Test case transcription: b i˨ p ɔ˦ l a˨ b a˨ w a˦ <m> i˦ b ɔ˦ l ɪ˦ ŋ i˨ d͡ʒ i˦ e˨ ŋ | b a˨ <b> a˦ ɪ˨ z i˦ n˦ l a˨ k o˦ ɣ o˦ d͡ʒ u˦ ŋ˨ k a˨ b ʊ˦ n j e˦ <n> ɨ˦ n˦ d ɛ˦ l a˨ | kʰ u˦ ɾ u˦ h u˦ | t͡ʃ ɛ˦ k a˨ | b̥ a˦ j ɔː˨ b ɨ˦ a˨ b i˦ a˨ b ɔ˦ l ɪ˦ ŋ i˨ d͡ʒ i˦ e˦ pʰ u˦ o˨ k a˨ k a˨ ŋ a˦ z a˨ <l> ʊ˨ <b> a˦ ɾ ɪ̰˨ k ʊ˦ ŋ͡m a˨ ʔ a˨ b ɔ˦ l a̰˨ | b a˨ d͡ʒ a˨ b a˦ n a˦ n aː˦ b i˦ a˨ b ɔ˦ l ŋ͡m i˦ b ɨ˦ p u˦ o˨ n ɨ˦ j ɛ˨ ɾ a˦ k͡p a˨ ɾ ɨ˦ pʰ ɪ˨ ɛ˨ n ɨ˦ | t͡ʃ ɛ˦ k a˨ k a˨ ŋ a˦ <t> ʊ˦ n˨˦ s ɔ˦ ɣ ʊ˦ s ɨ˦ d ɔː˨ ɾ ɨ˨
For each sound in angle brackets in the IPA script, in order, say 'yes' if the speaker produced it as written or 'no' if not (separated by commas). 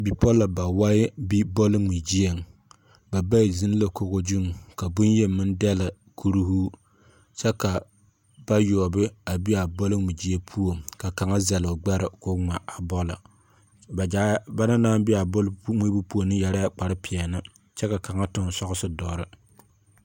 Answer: no, yes, no, yes, no, yes